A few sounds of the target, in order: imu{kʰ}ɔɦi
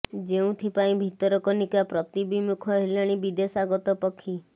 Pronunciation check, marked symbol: correct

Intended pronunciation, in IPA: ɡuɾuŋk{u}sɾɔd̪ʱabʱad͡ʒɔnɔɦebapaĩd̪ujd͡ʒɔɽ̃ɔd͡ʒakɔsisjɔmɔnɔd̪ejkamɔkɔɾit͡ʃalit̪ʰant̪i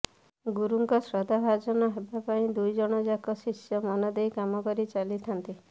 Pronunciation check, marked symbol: incorrect: ɔ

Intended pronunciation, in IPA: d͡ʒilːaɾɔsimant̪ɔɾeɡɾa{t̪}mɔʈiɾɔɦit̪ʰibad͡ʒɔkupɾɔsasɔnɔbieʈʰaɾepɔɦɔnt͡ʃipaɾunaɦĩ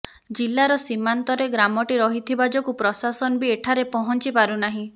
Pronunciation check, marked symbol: incorrect: none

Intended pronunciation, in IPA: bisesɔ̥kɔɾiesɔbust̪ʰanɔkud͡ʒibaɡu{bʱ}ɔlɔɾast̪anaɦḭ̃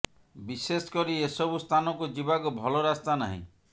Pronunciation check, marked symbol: correct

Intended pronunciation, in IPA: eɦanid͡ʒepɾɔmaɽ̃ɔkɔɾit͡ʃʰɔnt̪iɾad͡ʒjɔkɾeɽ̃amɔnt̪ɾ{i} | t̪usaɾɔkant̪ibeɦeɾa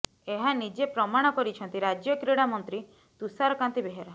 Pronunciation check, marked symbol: correct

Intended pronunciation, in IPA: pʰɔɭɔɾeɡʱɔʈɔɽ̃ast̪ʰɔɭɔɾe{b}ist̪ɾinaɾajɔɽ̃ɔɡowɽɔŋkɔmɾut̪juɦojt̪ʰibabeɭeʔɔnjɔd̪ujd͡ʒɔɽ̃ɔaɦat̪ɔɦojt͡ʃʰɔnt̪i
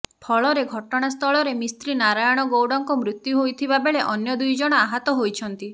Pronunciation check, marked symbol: incorrect: m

